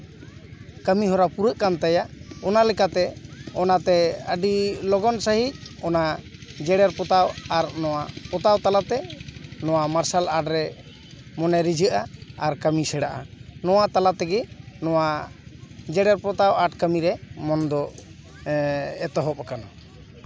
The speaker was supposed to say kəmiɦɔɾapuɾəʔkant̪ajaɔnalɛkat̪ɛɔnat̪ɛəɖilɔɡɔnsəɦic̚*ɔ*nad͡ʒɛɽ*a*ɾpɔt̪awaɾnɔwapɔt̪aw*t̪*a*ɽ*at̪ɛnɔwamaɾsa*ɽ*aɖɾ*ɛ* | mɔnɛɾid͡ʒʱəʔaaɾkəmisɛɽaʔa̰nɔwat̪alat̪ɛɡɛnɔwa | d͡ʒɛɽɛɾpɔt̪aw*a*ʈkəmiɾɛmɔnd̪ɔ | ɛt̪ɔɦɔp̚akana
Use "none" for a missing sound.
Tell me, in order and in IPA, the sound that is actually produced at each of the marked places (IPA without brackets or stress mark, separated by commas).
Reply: ɔ, ɛ, t̪, l, l, ɛ, a